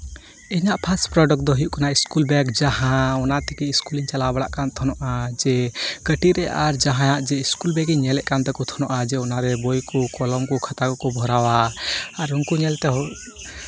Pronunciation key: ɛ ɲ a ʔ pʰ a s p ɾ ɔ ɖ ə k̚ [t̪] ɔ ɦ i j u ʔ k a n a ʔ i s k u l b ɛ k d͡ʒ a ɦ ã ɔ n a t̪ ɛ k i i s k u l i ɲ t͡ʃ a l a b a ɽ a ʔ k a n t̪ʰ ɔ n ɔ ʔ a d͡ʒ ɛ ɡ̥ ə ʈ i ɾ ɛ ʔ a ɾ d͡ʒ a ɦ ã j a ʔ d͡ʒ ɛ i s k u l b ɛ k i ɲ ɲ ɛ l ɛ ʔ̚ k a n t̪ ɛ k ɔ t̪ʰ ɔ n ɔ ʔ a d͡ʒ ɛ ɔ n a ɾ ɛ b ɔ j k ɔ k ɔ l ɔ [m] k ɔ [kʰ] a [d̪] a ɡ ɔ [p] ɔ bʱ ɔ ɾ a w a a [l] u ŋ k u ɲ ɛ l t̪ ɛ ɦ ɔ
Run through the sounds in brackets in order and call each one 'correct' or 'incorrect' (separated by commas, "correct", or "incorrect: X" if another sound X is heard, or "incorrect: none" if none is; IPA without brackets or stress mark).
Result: incorrect: d̪, correct, correct, incorrect: t̪, incorrect: k, incorrect: ɾ